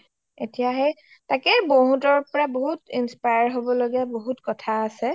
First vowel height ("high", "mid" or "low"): mid